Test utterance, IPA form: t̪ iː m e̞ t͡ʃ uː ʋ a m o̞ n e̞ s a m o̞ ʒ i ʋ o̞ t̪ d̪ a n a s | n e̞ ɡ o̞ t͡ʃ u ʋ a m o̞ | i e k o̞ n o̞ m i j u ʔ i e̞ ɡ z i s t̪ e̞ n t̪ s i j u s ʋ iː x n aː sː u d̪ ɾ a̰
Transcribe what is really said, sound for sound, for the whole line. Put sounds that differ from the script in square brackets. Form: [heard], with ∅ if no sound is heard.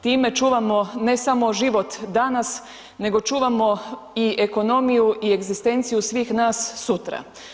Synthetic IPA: t̪ iː m e̞ t͡ʃ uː ʋ a m o̞ n e̞ s a m o̞ ʒ i ʋ o̞ t̪ d̪ a n a s | n e̞ ɡ o̞ t͡ʃ [uː] ʋ a m o̞ | i e k o̞ n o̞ m i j u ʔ i e̞ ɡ z i s t̪ e̞ n t̪ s i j u s ʋ iː x n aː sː u [t̪] ɾ a̰